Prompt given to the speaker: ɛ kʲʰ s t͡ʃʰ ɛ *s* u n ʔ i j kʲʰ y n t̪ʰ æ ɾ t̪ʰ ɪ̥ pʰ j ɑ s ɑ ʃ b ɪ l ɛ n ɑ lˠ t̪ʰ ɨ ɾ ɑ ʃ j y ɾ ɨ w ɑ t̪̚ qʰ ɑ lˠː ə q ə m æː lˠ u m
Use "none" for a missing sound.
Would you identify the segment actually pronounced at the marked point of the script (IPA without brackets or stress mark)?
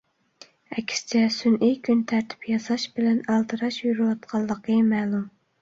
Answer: s